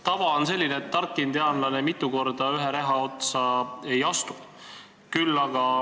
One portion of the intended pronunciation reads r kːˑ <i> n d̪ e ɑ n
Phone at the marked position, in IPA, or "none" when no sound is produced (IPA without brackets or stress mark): i